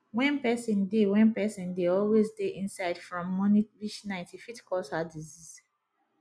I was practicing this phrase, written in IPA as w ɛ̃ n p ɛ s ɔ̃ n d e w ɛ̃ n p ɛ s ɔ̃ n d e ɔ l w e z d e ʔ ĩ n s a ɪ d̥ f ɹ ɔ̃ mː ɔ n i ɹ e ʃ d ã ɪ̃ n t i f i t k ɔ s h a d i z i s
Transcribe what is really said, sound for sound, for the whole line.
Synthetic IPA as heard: w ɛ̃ n p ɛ s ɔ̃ n d e w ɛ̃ n p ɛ s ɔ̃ n d e ɔ l w e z d e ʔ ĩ n s a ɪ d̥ f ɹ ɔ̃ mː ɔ n i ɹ i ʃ n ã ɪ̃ n t i f i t k ɔ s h a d i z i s